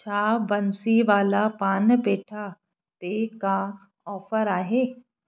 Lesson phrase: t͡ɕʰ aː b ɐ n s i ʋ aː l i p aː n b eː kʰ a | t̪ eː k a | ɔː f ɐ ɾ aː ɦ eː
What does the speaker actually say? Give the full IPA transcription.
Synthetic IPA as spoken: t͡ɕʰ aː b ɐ n s i ʋ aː l a p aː n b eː ʈʰ a | t̪ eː k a | ɔː f ə ɾ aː ɦ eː